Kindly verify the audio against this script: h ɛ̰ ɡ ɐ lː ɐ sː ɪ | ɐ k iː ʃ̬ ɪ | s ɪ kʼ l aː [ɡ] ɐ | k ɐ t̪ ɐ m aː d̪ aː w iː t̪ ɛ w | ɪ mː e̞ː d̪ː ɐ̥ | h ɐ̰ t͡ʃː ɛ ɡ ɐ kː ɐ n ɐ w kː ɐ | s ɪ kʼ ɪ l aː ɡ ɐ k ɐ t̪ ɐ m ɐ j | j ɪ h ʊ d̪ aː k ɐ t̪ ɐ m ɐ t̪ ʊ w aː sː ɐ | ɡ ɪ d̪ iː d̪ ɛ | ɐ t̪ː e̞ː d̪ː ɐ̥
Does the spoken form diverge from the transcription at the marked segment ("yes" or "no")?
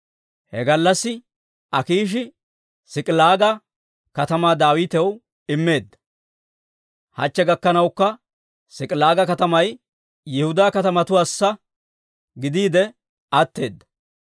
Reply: no